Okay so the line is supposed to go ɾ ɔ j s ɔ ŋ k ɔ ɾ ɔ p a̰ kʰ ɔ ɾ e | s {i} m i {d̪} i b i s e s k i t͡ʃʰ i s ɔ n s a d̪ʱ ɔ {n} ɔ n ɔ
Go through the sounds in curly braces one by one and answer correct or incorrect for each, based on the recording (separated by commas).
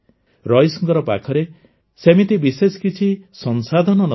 incorrect, incorrect, correct